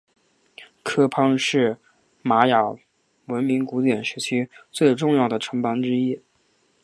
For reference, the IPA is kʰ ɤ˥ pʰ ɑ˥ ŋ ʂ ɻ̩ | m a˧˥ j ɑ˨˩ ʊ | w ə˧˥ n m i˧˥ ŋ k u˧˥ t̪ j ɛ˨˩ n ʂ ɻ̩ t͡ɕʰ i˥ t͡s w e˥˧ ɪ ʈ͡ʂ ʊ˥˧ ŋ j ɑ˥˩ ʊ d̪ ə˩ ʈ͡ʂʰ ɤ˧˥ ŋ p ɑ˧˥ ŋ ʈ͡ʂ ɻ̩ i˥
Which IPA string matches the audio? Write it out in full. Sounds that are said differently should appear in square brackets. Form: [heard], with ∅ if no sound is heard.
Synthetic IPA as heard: kʰ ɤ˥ pʰ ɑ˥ ŋ ʂ ɻ̩ | m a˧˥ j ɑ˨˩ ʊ | w ə˧˥ n m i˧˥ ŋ k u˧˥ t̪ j ɛ˨˩ n ʂ ɻ̩ t͡ɕʰ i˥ t͡s w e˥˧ ɪ ʈ͡ʂ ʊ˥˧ ŋ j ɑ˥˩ ʊ d̪ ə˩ ʈ͡ʂʰ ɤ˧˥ ŋ p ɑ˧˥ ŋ ʈ͡ʂ ɻ̩ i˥